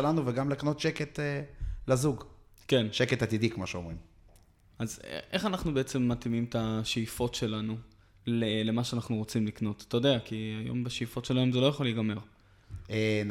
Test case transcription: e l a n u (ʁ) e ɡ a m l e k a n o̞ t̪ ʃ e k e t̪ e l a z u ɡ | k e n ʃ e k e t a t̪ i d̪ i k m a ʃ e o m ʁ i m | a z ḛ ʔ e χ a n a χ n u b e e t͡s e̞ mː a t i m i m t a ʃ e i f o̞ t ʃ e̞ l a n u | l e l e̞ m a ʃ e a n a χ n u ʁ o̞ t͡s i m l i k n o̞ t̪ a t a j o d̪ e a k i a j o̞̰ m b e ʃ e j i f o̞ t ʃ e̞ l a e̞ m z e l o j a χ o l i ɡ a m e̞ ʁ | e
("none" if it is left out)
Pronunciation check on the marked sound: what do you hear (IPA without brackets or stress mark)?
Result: v